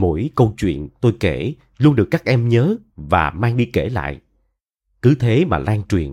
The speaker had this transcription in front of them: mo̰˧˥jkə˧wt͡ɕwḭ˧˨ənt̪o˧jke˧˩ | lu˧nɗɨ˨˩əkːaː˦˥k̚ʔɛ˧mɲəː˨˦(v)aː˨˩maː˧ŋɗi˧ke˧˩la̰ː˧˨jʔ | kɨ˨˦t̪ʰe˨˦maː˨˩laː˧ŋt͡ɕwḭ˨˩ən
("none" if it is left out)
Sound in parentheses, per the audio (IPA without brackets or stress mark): v